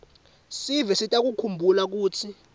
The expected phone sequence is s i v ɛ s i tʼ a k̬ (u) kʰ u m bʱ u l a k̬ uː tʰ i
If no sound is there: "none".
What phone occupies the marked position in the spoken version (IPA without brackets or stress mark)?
u